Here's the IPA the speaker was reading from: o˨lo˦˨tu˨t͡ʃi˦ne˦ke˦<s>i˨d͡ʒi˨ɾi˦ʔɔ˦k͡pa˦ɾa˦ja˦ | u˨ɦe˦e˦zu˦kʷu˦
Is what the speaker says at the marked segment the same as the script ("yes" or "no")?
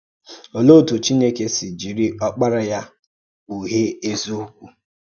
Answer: yes